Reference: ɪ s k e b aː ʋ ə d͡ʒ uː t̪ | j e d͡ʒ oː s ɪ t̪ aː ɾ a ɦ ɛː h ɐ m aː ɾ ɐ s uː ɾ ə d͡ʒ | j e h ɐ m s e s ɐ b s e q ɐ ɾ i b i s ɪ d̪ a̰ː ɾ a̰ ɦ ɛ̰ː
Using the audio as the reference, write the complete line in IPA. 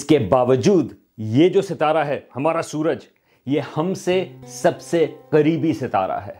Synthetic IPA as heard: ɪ s k e b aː ʋ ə d͡ʒ uː d̪ | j e d͡ʒ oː s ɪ t̪ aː ɾ a ɦ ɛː h ɐ m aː ɾ a s uː ɾ ə d͡ʒ | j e h ɐ m s e s ɐ b s e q ɐ ɾ iː b i s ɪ t̪ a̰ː ɾ a̰ ɦ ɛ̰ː